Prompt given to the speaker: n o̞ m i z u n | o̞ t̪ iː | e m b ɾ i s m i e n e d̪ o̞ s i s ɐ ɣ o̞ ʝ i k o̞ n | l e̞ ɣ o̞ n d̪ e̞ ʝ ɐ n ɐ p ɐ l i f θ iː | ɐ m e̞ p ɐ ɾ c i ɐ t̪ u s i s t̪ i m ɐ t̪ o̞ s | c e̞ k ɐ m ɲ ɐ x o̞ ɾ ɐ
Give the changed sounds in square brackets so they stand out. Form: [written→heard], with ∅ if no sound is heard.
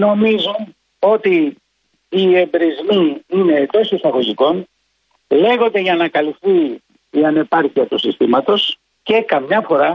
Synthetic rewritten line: n o̞ m i z u n | o̞ t̪ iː | e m b ɾ i [s→z] m i [e→i] n e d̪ o̞ s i s ɐ ɣ o̞ ʝ i k o̞ n | l e̞ ɣ o̞ n d̪ e̞ ʝ ɐ n ɐ [p→k] ɐ l i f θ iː | ɐ [m→n] e̞ p ɐ ɾ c i ɐ t̪ u s i s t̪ i m ɐ t̪ o̞ s | c e̞ k ɐ m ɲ ɐ [x→f] o̞ ɾ ɐ